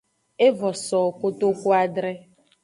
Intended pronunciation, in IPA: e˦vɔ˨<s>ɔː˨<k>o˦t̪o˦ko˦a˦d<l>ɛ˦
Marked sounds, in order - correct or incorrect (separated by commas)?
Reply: correct, correct, incorrect